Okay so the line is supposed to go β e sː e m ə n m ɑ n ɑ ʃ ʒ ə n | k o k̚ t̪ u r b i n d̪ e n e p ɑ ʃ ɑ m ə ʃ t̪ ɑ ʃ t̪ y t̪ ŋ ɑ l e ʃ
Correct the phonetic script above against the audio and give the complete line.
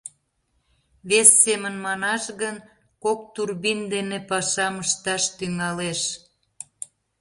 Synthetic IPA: β e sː e m ə n m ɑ n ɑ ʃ ɣ ə n | k o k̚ t̪ u r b i n d̪ e n e p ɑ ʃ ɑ m ə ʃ t̪ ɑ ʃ t̪ y ŋ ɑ l e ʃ